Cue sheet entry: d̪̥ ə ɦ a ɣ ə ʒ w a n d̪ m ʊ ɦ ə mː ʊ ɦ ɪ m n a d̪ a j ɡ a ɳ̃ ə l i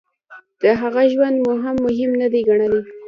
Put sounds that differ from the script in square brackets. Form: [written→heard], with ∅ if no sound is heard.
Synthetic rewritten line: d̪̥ ə ɦ a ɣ [ə→a] ʒ w a n d̪ m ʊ ɦ [ə→a] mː ʊ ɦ ɪ m n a d̪ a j ɡ a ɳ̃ ə l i